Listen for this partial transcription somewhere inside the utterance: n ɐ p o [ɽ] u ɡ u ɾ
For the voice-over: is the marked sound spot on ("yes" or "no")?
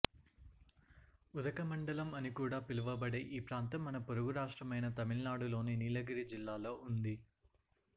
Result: no